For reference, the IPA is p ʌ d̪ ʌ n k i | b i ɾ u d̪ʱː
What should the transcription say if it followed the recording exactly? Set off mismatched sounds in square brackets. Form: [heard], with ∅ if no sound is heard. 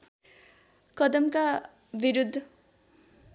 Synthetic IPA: [k] ʌ d̪ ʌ [m] k [a] | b i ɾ u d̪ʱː